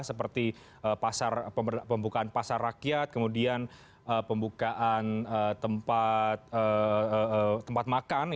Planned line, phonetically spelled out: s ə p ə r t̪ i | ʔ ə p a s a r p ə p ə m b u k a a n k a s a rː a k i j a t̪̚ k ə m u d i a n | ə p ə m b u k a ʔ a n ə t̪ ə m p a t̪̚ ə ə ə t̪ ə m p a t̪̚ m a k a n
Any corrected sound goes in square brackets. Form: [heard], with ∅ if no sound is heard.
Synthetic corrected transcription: s ə p ə r t̪ i | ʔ ə p a s a r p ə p ə m b u k a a n [p] a s a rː a k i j a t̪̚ k ə m u d i a n | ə p ə m b u k a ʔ a n ə t̪ ə m p a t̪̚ ə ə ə t̪ ə m p a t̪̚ m a k a n